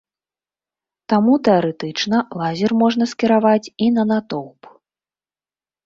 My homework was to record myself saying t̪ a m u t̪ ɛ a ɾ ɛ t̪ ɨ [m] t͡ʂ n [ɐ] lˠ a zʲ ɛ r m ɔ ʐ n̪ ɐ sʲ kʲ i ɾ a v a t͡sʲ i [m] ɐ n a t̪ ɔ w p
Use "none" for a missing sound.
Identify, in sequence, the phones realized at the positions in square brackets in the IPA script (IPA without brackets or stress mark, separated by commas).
none, ɐ, n